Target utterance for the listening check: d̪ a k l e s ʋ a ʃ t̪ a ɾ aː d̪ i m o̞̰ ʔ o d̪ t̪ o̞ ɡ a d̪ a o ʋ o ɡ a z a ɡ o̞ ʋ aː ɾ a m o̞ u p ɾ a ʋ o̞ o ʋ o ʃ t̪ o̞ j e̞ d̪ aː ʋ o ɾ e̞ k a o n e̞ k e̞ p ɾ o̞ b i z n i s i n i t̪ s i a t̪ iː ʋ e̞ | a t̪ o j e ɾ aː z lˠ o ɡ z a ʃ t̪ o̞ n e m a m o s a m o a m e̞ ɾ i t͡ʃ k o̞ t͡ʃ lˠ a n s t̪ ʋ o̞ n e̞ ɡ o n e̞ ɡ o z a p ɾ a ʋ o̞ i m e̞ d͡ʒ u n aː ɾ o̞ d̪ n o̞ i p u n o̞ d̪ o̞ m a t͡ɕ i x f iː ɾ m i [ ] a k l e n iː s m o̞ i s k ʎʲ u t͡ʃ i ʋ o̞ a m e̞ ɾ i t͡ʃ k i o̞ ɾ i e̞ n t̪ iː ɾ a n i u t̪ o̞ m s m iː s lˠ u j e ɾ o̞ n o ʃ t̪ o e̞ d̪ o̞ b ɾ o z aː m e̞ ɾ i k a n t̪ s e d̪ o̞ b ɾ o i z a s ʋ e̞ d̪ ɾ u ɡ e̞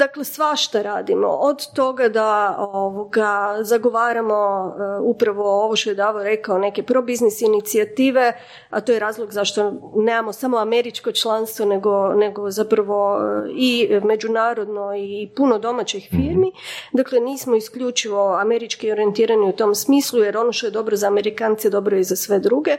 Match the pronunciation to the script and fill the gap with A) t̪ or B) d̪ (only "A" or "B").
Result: B